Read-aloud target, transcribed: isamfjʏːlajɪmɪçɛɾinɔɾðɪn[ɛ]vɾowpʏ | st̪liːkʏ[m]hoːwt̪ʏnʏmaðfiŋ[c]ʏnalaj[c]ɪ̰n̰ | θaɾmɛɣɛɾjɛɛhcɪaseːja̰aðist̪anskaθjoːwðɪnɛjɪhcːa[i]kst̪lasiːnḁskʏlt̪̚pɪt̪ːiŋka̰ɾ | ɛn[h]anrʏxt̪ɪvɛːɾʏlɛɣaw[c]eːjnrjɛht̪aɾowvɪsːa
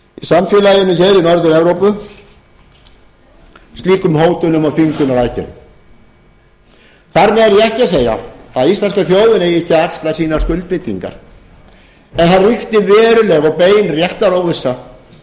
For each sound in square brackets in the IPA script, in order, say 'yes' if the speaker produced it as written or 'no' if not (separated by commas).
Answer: yes, yes, no, yes, no, no, no